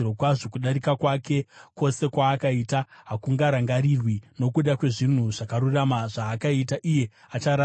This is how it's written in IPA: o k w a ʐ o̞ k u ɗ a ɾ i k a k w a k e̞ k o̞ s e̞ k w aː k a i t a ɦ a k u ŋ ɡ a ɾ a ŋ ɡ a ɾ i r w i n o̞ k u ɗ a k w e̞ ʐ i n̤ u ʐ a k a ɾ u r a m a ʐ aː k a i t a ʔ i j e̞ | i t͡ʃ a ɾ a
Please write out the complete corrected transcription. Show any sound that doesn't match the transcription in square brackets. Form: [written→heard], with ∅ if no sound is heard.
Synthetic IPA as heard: o k w a ʐ o̞ k u ɗ a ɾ i k a k w a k e̞ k o̞ s e̞ k w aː k a i t a ɦ a k u ŋ ɡ a ɾ a ŋ ɡ a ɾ i r w i n o̞ k u ɗ a k w e̞ ʐ i n̤ u ʐ a k a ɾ u r a m a ʐ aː k a i t a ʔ i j e̞ | [i→a] t͡ʃ a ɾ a

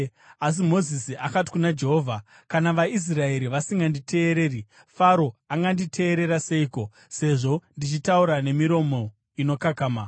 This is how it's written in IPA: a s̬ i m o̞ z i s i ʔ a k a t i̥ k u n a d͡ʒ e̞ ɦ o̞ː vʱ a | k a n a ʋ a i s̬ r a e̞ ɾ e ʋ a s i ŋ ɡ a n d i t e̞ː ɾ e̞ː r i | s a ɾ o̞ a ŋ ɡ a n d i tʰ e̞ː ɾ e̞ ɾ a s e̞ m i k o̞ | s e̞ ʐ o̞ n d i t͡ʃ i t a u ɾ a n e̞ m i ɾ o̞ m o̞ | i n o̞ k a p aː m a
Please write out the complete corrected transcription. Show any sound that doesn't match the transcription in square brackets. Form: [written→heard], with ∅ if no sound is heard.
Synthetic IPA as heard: a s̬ i m o̞ z i s i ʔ a k a t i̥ k u n a d͡ʒ e̞ ɦ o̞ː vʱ a | k a n a ʋ a i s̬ r a e̞ ɾ [e→i] ʋ a s i ŋ ɡ a n d i t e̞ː ɾ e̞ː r i | [s→f] a ɾ o̞ a ŋ ɡ a n d i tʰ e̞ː ɾ e̞ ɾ a s e̞ [m→∅] i k o̞ | s e̞ ʐ o̞ n d i t͡ʃ i t a u ɾ a n e̞ m i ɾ o̞ m o̞ | i n o̞ k a [p→k] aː m a

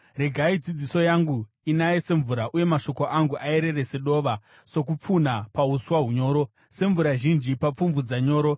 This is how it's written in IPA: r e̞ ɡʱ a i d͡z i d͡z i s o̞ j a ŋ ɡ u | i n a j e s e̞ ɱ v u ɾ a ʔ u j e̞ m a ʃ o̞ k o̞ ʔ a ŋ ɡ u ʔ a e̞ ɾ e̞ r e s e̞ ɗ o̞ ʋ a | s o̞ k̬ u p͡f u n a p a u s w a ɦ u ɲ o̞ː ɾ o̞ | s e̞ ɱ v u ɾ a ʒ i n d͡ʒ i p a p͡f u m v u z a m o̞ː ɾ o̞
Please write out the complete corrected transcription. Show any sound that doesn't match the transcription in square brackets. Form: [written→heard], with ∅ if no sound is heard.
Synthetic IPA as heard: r e̞ ɡʱ a i d͡z i d͡z i s o̞ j a ŋ ɡ u | i n a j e s e̞ ɱ v u ɾ a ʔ u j e̞ m a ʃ o̞ k o̞ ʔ a ŋ ɡ u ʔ a e̞ ɾ e̞ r e s e̞ ɗ o̞ ʋ a | s o̞ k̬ u p͡f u n a p a u s w a ɦ u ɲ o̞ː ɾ o̞ | s e̞ ɱ v u ɾ a ʒ i n d͡ʒ i p a p͡f u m v u [z→d͡z] a [m→ɲ] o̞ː ɾ o̞

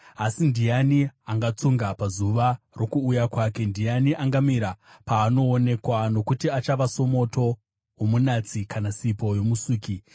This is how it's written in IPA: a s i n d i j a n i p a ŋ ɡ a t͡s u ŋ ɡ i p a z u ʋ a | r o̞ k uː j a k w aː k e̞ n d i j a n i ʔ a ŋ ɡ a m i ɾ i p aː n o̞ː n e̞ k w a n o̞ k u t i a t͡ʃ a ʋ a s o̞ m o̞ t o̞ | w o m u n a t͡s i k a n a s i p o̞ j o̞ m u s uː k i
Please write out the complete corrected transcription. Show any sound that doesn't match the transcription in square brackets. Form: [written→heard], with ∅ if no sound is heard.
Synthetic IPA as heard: a s i n d i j a n i [p→∅] a ŋ ɡ a t͡s u ŋ ɡ [i→a] p a z u ʋ a | r o̞ k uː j a k w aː k e̞ n d i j a n i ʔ a ŋ ɡ a m i ɾ [i→a] p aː n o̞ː n e̞ k w a n o̞ k u t i a t͡ʃ a ʋ a s o̞ m o̞ t o̞ | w o m u n a t͡s i k a n a s i p o̞ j o̞ m u s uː k i

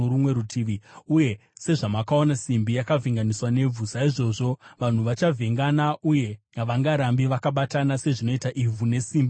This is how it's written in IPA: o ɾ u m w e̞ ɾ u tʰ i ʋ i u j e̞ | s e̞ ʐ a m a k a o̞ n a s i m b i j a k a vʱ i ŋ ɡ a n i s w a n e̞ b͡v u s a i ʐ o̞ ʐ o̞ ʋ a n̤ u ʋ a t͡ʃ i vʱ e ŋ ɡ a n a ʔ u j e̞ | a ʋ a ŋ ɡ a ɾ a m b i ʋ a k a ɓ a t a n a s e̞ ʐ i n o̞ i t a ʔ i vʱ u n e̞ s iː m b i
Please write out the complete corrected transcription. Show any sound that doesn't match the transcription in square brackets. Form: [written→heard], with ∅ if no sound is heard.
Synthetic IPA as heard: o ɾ u m w e̞ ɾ u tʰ i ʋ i u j e̞ | s e̞ ʐ a m a k a o̞ n a s i m b i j a k a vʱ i ŋ ɡ a n i s w a n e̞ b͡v u s a i ʐ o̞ ʐ o̞ ʋ a n̤ u ʋ a t͡ʃ [i→a] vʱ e ŋ ɡ a n a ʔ u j e̞ | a ʋ a ŋ ɡ a ɾ a m b i ʋ a k a ɓ a t a n a s e̞ ʐ i n o̞ i t a ʔ i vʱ u n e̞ s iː m b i

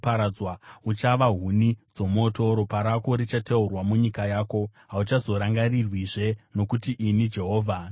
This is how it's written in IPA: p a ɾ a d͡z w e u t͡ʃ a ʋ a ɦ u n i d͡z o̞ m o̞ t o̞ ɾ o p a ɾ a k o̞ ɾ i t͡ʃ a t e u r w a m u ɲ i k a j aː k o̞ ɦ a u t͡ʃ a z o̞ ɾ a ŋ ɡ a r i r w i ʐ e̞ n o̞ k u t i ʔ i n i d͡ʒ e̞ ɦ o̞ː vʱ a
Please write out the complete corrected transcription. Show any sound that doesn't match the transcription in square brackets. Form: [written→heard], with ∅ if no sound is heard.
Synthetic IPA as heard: p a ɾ a d͡z w [e→a] u t͡ʃ a ʋ a ɦ u n i d͡z o̞ m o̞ t o̞ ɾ o p a ɾ a k o̞ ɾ i t͡ʃ a t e u r w a m u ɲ i k a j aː k o̞ ɦ a u t͡ʃ a z o̞ ɾ a ŋ ɡ a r i r w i ʐ e̞ n o̞ k u t i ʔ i n i d͡ʒ e̞ ɦ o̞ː vʱ a

